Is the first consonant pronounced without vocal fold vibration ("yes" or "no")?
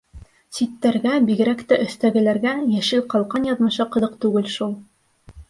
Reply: yes